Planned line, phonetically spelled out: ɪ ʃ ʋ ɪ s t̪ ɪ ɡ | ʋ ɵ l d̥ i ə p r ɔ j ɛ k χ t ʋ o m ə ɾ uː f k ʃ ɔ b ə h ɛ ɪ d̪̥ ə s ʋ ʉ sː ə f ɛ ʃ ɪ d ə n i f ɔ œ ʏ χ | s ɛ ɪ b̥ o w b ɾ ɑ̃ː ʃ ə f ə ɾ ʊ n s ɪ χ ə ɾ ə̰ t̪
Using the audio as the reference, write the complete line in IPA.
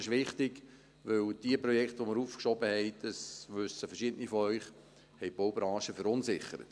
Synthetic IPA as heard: ɪ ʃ ʋ ɪ χ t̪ ɪ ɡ | ʋ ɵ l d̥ i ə p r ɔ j ɛ k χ t ʋ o m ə ɾ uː f k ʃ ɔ b ə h ɛ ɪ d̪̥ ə s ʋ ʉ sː ə f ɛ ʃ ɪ d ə n i f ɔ œ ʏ χ | h ɛ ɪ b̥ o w b ɾ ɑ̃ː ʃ ə f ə ɾ ʊ n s ɪ χ ə ɾ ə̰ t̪